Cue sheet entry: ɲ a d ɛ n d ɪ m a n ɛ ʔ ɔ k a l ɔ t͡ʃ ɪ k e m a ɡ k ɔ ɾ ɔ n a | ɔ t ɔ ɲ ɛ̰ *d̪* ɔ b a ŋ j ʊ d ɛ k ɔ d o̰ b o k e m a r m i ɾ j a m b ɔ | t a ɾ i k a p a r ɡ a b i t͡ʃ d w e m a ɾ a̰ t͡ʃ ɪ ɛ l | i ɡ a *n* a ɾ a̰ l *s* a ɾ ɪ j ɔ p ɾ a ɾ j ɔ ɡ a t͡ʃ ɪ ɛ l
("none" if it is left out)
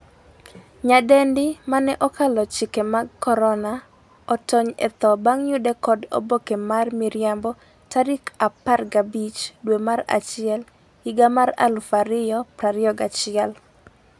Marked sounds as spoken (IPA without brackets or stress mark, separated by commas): t̪, m, f